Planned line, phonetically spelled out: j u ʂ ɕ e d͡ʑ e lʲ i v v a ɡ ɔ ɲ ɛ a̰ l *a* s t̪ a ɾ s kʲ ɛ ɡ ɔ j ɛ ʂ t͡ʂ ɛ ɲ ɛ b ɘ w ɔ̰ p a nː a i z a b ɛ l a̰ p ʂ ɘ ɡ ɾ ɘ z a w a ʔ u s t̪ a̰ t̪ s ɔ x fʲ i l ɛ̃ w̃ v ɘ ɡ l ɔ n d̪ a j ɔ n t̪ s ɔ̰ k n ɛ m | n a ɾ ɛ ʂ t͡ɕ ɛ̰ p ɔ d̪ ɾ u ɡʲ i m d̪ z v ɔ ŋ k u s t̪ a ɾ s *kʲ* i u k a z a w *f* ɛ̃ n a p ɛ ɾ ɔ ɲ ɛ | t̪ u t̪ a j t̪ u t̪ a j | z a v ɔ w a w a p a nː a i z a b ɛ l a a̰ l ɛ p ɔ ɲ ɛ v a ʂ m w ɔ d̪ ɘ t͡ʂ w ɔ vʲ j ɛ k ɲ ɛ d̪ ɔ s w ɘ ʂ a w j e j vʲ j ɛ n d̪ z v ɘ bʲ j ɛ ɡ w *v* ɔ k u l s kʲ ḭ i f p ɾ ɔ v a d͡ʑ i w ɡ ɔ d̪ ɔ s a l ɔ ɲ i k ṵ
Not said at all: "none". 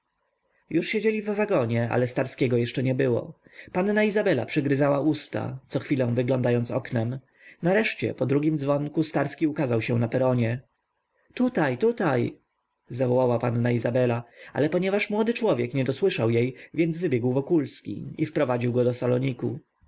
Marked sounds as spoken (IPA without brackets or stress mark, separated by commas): ɛ, kʲ, ɕ, v